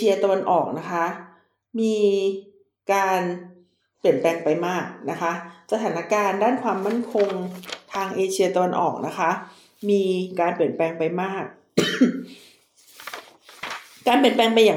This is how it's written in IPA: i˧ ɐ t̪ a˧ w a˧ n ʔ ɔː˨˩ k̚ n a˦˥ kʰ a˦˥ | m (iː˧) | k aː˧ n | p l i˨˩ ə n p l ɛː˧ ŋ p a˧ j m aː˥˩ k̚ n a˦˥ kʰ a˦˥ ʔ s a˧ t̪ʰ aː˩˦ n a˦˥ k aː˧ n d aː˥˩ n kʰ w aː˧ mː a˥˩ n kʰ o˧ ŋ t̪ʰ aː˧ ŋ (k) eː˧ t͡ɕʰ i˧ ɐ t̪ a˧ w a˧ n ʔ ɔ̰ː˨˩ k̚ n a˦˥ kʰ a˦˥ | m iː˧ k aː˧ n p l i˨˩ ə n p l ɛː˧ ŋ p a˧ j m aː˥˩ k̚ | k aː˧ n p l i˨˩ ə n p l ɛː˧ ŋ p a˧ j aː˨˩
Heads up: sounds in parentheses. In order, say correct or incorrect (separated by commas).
correct, incorrect